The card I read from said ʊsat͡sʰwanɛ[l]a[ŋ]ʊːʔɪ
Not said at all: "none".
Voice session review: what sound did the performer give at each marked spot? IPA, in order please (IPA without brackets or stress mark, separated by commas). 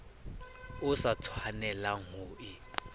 l, ŋ